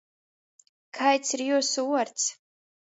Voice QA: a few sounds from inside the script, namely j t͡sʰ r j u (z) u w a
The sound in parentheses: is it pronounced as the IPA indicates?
no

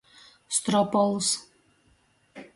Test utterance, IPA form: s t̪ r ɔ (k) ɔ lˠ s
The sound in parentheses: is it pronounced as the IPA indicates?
no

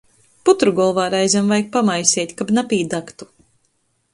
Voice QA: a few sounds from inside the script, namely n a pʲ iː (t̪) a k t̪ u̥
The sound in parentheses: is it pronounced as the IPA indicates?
no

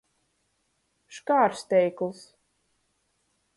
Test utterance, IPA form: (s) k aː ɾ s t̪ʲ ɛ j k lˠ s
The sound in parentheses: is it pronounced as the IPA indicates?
no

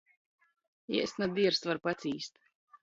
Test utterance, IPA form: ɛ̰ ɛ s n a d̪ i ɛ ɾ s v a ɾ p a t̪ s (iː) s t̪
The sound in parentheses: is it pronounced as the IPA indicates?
yes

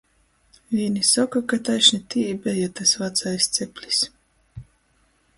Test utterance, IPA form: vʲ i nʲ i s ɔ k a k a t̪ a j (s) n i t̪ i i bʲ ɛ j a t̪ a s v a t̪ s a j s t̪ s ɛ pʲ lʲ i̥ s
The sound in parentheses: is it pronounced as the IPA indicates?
no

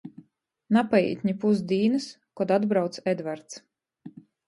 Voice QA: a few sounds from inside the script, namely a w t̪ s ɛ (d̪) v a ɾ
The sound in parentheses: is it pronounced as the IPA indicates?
yes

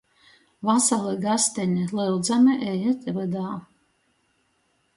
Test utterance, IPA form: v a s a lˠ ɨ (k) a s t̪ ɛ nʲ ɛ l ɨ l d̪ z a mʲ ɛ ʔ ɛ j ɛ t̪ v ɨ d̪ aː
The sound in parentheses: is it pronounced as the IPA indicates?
no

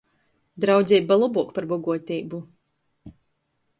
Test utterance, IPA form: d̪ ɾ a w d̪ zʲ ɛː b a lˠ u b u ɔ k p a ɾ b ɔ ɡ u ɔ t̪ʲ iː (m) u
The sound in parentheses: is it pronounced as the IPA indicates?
no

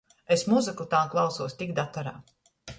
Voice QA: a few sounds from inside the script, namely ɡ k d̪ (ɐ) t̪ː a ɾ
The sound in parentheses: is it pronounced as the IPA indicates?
no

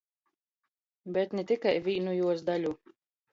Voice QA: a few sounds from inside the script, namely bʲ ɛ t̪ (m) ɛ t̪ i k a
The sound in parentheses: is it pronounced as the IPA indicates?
no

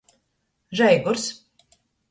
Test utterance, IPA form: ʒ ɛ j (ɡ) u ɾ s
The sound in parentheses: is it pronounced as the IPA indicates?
yes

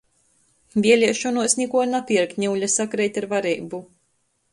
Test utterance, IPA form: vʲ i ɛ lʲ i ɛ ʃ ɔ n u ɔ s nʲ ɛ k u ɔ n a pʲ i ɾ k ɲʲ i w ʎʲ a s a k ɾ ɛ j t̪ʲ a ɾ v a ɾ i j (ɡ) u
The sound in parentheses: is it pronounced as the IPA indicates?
no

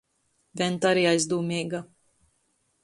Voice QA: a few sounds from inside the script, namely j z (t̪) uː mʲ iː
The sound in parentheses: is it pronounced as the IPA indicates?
no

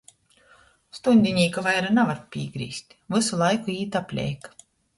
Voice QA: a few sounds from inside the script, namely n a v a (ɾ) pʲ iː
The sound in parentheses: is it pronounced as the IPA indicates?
yes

